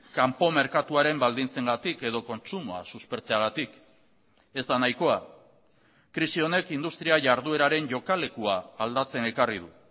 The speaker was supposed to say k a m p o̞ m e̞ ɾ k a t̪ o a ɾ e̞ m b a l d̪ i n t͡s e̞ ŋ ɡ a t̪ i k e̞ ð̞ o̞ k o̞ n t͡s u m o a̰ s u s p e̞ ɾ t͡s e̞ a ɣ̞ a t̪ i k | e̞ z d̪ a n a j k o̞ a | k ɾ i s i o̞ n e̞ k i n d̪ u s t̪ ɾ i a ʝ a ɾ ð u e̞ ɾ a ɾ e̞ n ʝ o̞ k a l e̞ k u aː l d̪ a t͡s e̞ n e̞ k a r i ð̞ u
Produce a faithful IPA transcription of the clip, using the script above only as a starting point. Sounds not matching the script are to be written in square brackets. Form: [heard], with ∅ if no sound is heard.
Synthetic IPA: k a m p o̞ m e̞ ɾ k a t̪ [u] a ɾ e̞ m b a l d̪ i n t͡s e̞ ŋ ɡ a t̪ i k e̞ ð̞ o̞ k o̞ n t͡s u m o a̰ s u s p e̞ ɾ t͡s e̞ a ɣ̞ a t̪ i k | e̞ z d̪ a n a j k o̞ a | k ɾ i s i o̞ n e̞ k i n d̪ u s t̪ ɾ i a ʝ a ɾ ð u e̞ ɾ a ɾ e̞ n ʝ o̞ k a l e̞ k u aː l d̪ a t͡s e̞ n e̞ k a r i ð̞ u